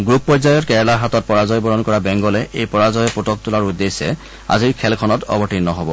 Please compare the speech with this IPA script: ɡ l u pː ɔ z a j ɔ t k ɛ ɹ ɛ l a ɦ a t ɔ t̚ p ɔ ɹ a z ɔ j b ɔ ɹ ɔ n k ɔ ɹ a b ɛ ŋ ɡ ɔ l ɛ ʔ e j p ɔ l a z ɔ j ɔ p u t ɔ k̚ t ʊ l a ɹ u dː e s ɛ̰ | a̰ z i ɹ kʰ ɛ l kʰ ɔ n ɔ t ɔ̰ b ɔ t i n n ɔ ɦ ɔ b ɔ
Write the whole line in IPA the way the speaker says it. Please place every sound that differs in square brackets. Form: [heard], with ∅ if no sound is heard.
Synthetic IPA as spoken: ɡ [ɹ] u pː ɔ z a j ɔ t k ɛ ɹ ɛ l a ɦ a t ɔ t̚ p ɔ ɹ a z ɔ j b ɔ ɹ ɔ n k ɔ ɹ a b ɛ ŋ ɡ ɔ l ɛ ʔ e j p ɔ [ɹ] a z ɔ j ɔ p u t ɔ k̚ t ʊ l a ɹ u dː e s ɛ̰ | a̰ z i ɹ kʰ ɛ l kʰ ɔ n ɔ t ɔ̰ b ɔ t i n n ɔ ɦ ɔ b ɔ